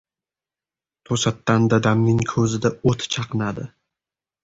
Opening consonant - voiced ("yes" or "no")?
no